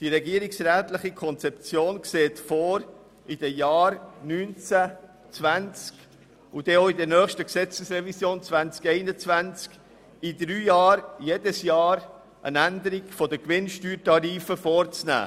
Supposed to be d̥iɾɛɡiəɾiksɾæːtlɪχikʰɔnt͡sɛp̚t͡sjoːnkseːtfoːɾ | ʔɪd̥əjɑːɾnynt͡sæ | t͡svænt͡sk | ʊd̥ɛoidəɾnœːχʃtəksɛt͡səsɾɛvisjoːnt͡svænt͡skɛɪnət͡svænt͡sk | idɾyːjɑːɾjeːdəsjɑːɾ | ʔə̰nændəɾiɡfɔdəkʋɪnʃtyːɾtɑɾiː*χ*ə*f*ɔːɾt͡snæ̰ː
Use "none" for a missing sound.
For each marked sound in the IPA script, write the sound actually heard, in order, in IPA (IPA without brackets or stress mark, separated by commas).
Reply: f, f